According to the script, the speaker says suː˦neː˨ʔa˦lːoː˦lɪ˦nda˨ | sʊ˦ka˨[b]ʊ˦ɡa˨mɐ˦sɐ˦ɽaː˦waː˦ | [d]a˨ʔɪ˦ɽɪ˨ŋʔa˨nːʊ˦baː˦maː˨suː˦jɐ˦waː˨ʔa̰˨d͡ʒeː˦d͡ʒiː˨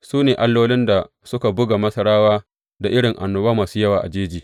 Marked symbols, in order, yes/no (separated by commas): yes, yes